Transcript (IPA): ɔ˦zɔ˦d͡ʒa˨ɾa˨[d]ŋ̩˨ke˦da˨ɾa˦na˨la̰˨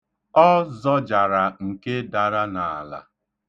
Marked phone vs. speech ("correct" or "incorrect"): incorrect